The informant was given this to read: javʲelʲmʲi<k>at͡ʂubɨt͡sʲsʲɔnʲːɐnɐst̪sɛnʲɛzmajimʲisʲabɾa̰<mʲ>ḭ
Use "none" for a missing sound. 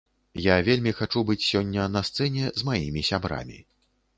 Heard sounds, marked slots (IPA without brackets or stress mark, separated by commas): x, mʲ